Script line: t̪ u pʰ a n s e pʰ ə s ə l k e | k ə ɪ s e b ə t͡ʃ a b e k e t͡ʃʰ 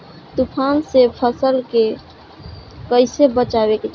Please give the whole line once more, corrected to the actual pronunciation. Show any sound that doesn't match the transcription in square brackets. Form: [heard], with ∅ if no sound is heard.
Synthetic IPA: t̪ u pʰ a n s e pʰ ə s ə l k e | k ə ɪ s e b ə t͡ʃ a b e k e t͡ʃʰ